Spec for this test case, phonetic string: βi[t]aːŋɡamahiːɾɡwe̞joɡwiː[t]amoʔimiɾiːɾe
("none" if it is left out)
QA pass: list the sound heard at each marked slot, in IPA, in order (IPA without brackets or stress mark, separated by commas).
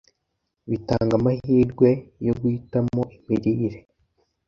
t, t